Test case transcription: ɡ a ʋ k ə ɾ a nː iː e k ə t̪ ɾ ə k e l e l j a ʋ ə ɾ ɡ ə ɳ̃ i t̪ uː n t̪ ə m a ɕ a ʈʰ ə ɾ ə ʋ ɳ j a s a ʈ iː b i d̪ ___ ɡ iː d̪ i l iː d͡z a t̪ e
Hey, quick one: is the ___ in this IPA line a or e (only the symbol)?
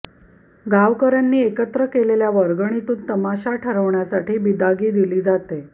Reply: a